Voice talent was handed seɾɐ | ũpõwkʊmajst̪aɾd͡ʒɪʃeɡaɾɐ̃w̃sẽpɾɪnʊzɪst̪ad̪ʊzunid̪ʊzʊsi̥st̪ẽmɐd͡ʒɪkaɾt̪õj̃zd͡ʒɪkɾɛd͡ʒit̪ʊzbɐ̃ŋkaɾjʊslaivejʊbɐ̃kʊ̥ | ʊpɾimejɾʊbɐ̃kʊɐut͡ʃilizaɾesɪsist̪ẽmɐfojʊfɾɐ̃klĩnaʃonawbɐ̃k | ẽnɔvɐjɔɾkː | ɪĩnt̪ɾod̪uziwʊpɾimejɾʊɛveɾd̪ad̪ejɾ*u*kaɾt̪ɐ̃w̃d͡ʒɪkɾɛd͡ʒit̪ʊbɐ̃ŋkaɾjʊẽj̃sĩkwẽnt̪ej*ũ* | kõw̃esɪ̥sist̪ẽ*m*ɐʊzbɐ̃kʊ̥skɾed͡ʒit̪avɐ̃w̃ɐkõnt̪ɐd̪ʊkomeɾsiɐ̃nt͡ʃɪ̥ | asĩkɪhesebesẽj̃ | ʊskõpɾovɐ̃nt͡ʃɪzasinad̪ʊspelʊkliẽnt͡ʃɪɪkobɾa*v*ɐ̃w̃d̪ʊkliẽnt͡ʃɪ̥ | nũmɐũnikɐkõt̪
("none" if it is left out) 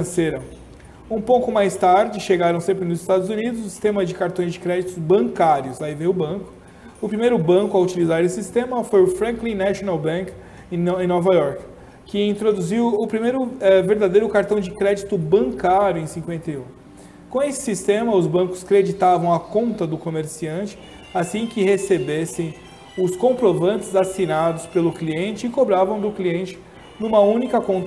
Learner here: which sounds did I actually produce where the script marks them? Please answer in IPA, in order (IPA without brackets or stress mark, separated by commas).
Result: ʊ, ũ, m, v